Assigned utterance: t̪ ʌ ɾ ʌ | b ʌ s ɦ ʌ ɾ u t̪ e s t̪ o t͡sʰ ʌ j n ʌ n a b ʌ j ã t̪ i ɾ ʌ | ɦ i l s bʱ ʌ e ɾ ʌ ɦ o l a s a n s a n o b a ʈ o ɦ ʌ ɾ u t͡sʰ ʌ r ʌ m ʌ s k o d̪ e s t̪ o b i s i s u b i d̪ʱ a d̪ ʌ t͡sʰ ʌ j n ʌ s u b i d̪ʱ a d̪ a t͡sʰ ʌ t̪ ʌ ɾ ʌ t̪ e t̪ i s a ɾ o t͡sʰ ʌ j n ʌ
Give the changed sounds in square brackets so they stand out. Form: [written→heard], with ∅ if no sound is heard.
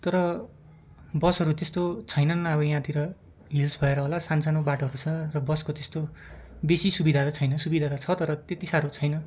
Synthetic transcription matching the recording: t̪ ʌ ɾ ʌ | b ʌ s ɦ ʌ ɾ u t̪ e s t̪ o t͡sʰ ʌ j n ʌ n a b ʌ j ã t̪ i ɾ ʌ | ɦ i l s bʱ ʌ e ɾ ʌ ɦ o l a s a n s a n o b a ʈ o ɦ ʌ ɾ u t͡sʰ ʌ r ʌ [m→b] ʌ s k o [d̪→t̪] e s t̪ o b [i→e] s i s u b i d̪ʱ a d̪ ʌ t͡sʰ ʌ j n ʌ s u b i d̪ʱ a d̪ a t͡sʰ ʌ t̪ ʌ ɾ ʌ t̪ e t̪ i s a ɾ o t͡sʰ ʌ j n ʌ